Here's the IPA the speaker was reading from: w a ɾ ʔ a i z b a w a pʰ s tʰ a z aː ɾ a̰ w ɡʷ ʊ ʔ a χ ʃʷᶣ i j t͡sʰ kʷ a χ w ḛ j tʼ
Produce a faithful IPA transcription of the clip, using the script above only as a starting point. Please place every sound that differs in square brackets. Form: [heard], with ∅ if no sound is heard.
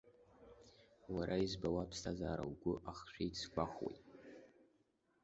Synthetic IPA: w a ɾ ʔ a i z b a w a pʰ s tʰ a z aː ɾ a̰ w ɡʷ ʊ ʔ a χ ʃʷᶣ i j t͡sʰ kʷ a χ w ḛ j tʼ